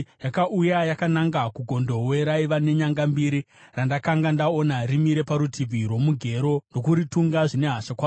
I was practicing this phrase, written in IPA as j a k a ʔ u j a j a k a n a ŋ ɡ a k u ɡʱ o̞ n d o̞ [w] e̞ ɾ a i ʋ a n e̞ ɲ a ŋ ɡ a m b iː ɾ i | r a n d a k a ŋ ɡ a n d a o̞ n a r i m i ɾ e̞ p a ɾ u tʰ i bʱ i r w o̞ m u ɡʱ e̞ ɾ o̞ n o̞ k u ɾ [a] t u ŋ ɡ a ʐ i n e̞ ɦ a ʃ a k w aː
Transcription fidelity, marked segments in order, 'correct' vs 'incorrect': correct, incorrect: i

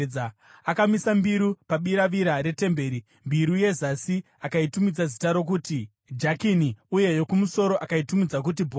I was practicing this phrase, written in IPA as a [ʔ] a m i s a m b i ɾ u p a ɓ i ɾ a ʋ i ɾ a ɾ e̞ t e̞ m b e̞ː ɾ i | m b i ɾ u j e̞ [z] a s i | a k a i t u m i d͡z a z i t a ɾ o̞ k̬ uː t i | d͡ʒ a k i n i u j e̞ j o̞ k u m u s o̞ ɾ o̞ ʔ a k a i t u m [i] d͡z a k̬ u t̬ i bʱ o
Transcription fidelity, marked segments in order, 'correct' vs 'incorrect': incorrect: k, correct, correct

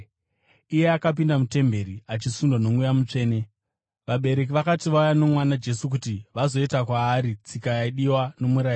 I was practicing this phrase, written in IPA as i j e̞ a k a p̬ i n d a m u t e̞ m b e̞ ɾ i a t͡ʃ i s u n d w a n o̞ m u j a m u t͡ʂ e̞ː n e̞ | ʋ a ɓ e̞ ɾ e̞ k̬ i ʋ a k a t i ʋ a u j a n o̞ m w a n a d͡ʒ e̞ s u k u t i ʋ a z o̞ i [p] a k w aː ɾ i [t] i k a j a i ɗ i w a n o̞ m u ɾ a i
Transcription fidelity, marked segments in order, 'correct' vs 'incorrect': incorrect: t, incorrect: t͡s

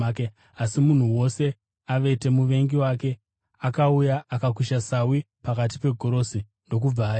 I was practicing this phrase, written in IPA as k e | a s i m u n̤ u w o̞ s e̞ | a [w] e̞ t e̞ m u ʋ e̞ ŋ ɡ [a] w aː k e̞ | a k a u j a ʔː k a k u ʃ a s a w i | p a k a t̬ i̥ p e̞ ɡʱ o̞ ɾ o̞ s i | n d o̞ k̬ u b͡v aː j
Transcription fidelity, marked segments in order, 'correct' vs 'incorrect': incorrect: ʋ, incorrect: i

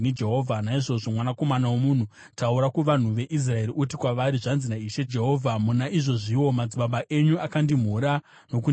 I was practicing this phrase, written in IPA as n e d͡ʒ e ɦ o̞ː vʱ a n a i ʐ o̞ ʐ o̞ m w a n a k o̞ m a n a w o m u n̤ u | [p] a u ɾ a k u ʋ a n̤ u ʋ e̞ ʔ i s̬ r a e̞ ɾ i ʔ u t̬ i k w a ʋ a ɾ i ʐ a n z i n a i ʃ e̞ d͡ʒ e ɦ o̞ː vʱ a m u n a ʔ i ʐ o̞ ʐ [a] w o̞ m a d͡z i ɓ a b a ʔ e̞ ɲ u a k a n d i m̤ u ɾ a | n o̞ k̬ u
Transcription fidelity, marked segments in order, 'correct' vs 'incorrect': incorrect: t, incorrect: i

